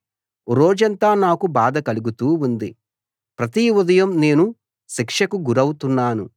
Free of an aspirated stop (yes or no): yes